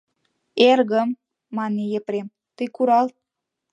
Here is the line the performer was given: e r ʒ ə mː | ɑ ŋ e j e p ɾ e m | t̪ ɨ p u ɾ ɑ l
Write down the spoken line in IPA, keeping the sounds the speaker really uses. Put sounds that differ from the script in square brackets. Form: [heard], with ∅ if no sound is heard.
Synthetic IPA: e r [ɣ] ə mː | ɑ [n] e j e p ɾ e m | t̪ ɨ [k] u ɾ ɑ l